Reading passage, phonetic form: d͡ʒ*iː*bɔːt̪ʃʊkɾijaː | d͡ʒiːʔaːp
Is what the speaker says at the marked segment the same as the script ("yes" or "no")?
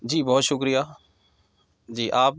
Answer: yes